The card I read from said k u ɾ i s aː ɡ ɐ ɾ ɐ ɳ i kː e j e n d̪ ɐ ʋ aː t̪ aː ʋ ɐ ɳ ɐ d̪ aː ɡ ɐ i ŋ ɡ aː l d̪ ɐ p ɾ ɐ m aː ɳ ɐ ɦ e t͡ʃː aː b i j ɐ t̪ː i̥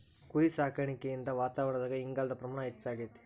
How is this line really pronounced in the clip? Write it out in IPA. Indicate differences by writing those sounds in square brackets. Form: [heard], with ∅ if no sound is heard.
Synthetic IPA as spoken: k u ɾ i s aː [k] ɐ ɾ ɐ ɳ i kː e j [i] n d̪ ɐ ʋ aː t̪ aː ʋ ɐ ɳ ɐ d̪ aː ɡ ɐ i ŋ ɡ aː l d̪ ɐ p ɾ ɐ m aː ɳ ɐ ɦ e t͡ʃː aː [ɡ] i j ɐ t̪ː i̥